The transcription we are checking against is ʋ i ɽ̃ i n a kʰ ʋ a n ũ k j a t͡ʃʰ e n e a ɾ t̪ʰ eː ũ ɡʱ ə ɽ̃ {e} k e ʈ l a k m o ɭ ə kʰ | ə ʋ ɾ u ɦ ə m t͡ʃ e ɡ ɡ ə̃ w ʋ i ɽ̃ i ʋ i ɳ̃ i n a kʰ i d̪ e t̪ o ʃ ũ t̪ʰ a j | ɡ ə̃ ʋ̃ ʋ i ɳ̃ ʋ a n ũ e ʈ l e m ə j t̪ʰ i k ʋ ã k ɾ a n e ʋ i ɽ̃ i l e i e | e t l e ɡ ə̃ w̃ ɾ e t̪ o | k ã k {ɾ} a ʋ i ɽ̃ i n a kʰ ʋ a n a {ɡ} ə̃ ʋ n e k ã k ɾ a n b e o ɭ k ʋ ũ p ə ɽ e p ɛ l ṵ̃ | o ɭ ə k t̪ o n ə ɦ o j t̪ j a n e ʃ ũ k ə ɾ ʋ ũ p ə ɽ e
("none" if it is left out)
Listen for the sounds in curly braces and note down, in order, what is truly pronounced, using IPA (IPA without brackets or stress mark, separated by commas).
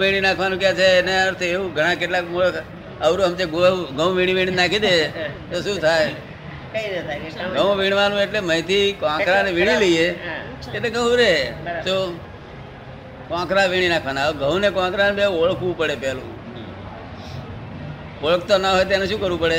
a, ɾ, ɡ